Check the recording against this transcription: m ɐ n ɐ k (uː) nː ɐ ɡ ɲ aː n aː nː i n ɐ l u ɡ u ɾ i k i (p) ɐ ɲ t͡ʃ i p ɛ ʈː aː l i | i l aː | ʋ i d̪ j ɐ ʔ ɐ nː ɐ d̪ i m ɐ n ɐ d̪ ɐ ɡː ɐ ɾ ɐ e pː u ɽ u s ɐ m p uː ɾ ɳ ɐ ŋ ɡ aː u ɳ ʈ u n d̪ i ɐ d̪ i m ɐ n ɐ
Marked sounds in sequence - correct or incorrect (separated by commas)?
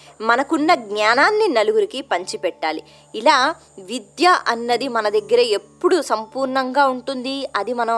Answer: incorrect, correct